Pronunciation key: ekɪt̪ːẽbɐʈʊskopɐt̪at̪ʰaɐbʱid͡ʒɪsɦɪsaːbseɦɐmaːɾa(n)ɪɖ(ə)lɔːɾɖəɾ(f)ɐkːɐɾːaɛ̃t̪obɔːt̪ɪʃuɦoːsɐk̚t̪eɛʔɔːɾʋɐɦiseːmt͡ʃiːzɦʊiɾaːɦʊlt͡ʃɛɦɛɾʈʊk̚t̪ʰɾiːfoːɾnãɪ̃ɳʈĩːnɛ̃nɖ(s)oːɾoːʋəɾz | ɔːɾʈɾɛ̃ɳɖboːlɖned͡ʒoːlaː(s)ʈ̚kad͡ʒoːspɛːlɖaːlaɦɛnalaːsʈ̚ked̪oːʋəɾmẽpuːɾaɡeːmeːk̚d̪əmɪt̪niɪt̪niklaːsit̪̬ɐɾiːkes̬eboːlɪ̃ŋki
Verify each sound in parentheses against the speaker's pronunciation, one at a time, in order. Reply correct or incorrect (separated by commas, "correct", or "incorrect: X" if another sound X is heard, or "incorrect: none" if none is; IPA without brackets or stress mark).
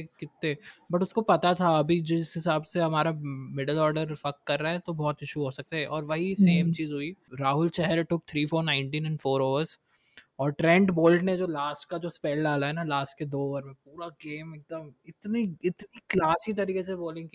incorrect: m, correct, correct, incorrect: f, correct